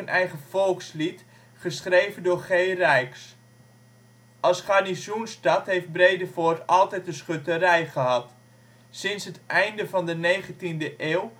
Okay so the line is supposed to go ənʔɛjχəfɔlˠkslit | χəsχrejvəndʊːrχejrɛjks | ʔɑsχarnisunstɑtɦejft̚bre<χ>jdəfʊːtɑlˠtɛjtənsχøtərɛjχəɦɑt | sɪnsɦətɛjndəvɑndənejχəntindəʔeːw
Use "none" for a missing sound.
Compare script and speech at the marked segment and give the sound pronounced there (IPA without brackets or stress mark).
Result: none